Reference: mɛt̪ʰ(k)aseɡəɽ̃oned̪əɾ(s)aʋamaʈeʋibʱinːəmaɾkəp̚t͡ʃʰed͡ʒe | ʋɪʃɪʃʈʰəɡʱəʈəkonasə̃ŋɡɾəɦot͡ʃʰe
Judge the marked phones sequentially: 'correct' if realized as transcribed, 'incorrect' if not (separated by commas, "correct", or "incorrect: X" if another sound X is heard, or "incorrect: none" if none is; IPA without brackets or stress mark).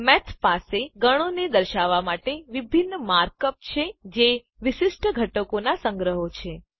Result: incorrect: p, incorrect: ʃ